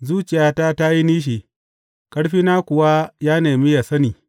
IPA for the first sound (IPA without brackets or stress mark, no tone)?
z